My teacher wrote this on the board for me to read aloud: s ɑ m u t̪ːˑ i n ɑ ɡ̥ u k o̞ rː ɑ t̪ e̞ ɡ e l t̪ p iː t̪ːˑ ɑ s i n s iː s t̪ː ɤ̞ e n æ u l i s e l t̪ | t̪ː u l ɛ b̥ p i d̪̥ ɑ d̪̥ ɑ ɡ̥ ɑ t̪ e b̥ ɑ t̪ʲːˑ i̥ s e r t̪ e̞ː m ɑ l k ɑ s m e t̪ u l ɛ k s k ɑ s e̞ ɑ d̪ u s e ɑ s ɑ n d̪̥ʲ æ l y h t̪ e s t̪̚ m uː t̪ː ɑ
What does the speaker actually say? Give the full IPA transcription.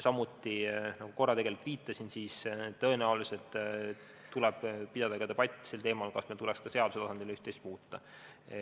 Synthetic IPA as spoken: s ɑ m u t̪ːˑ i n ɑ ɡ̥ u k o̞ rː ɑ t̪ e̞ ɡ e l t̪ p iː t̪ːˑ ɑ s i n s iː s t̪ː ɤ̞ e n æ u l i s e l t̪ | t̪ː u l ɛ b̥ p i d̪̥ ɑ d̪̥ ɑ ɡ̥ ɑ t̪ e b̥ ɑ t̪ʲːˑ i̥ s e l t̪ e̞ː m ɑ l k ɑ s m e t̪ u l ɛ k s k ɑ s e̞ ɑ d̪ u s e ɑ s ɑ n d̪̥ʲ i l y h t̪ e s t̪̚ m uː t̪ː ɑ